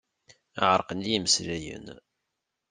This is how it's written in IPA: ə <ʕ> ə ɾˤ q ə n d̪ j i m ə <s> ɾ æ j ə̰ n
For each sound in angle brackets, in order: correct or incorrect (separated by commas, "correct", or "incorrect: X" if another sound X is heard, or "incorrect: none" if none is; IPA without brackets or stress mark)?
correct, correct